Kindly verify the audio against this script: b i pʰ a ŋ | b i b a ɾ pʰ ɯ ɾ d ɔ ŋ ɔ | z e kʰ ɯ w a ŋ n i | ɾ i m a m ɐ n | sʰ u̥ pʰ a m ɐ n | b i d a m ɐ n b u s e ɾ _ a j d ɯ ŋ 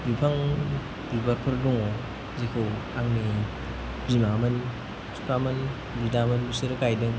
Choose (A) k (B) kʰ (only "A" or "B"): A